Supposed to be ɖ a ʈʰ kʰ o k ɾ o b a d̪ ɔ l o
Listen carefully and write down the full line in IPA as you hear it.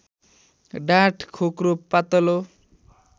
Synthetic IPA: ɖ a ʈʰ kʰ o k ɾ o p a t̪ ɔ l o